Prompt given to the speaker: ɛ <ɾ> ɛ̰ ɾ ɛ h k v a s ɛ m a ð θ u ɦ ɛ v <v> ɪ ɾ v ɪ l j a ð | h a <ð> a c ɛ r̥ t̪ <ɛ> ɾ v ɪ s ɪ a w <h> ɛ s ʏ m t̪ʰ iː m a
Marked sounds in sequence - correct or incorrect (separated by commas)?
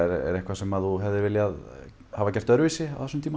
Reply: correct, incorrect, incorrect, incorrect, incorrect